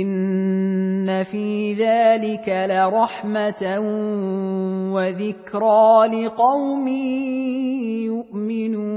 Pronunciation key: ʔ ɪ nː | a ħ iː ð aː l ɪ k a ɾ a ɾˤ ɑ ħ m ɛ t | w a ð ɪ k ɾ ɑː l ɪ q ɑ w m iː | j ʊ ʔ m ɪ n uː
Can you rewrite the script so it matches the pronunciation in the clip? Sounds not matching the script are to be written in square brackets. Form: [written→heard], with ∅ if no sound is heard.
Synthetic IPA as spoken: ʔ ɪ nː | a [ħ→f] iː ð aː l ɪ k a [ɾ→l] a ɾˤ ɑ ħ m [ɛ→a] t | w a ð ɪ k ɾ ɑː l ɪ q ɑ w m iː | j ʊ ʔ m ɪ n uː